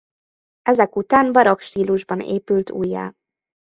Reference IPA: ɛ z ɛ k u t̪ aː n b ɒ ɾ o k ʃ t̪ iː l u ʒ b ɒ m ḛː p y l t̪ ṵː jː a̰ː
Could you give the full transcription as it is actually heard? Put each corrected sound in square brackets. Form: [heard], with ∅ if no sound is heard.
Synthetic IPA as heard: ɛ z ɛ k u t̪ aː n b ɒ ɾ o k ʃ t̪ iː l u ʒ b ɒ [n] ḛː p y l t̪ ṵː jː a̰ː

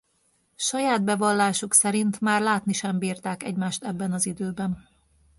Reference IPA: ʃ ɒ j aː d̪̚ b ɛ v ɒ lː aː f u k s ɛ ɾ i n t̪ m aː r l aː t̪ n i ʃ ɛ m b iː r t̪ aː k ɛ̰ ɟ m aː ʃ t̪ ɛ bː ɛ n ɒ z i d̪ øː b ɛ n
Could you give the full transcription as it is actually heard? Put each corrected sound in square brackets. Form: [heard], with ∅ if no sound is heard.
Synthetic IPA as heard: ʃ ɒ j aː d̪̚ b ɛ v ɒ lː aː [ʃ] u k s ɛ ɾ i n t̪ m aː r l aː t̪ n i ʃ ɛ m b iː r t̪ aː k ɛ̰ ɟ m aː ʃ t̪ ɛ bː ɛ n ɒ z i d̪ øː b ɛ n

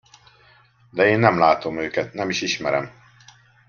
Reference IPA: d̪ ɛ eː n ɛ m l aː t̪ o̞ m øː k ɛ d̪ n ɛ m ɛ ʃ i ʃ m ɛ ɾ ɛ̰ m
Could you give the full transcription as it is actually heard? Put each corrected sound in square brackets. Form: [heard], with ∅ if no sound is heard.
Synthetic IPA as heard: d̪ ɛ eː [nː] ɛ m l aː t̪ o̞ m øː k ɛ [t̪] n ɛ m [i] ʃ i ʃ m ɛ ɾ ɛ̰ m

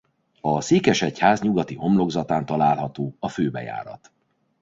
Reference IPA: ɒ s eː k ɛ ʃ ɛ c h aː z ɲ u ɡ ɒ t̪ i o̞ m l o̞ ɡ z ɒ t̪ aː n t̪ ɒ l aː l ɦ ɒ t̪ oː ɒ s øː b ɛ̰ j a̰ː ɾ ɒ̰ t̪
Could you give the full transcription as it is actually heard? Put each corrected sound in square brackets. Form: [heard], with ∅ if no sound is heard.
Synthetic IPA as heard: ɒ s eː k ɛ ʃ ɛ c h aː z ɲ u ɡ ɒ t̪ i o̞ m l o̞ ɡ z ɒ t̪ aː n t̪ ɒ l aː l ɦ ɒ t̪ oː ɒ [f] øː b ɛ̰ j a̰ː ɾ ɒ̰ t̪

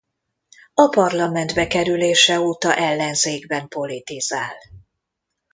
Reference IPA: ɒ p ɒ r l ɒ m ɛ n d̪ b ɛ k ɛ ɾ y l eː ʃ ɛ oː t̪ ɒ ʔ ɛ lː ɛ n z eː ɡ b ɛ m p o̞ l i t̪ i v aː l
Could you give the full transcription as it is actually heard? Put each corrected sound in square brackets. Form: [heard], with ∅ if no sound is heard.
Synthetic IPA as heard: ɒ p ɒ r l ɒ m ɛ n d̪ b ɛ k ɛ ɾ y l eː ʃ ɛ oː t̪ ɒ ʔ ɛ lː ɛ n z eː ɡ b ɛ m p o̞ l i t̪ i [z] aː l

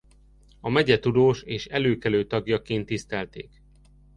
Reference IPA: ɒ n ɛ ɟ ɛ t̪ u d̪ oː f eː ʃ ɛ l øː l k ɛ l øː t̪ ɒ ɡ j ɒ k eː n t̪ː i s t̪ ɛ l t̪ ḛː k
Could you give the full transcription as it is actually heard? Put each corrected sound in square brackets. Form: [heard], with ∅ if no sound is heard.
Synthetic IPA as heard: ɒ [m] ɛ ɟ ɛ t̪ u d̪ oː [ʃ] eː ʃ ɛ l øː [∅] k ɛ l øː t̪ ɒ ɡ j ɒ k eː n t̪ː i s t̪ ɛ l t̪ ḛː k

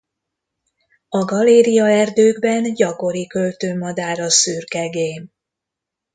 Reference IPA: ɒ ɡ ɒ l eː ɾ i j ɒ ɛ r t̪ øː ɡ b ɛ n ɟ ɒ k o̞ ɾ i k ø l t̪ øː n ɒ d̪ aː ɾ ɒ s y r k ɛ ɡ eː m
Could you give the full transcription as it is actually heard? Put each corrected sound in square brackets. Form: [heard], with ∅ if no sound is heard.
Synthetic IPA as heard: ɒ ɡ ɒ l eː ɾ i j ɒ ɛ r [d̪] øː ɡ b ɛ n ɟ ɒ k o̞ ɾ i k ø l t̪ øː [m] ɒ d̪ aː ɾ ɒ s y r k ɛ ɡ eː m

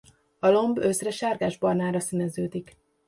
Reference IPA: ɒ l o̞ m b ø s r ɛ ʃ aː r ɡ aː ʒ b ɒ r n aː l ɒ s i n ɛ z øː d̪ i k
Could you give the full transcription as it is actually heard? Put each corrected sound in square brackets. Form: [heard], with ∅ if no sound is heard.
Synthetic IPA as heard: ɒ l o̞ m b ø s r ɛ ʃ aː r ɡ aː ʒ b ɒ r n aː [ɾ] ɒ s i n ɛ z øː d̪ i k

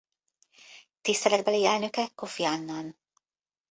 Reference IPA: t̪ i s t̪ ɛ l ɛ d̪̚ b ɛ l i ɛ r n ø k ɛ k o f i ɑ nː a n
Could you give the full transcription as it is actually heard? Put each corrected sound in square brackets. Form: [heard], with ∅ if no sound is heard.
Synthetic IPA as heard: t̪ i s t̪ ɛ l ɛ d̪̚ b ɛ l i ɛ [l] n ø k ɛ k o f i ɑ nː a n

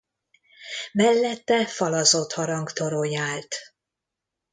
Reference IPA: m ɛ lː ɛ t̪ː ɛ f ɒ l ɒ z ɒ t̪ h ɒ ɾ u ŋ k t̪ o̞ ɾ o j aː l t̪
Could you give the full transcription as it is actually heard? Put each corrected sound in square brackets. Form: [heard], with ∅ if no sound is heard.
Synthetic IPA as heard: m ɛ lː ɛ t̪ː ɛ f ɒ l ɒ z [o] t̪ h ɒ ɾ [ɒ] ŋ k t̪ o̞ ɾ o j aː l t̪

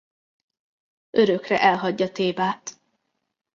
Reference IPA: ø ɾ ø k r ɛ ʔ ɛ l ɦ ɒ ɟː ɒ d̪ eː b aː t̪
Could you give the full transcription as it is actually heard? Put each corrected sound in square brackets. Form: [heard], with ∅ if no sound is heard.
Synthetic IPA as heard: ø ɾ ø k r ɛ ʔ ɛ l ɦ ɒ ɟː ɒ [t̪] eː b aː t̪

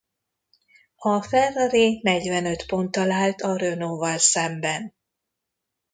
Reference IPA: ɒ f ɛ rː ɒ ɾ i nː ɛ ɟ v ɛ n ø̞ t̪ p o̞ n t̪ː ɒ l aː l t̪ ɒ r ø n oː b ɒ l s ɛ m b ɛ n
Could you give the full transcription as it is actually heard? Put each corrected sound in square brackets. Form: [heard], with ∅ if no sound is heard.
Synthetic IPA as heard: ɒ f ɛ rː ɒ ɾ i [n] ɛ ɟ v ɛ n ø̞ t̪ p o̞ n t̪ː ɒ l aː l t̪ ɒ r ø n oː [v] ɒ l s ɛ m b ɛ n

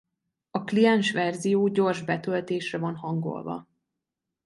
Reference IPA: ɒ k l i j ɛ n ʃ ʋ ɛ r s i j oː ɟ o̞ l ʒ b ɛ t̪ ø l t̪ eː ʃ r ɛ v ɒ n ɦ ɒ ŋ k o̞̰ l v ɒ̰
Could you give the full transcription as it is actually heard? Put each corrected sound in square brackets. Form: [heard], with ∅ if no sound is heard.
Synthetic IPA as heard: ɒ k l i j ɛ n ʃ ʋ ɛ r [z] i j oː ɟ o̞ [r] ʒ b ɛ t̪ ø l t̪ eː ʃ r ɛ v ɒ n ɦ ɒ ŋ [ɡ] o̞̰ l v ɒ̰

